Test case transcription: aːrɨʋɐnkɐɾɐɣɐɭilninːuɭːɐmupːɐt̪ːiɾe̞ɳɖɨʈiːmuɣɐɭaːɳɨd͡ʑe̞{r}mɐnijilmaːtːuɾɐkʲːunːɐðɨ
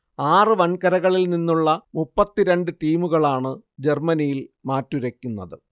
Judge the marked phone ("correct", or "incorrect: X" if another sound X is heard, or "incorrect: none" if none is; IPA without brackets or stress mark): correct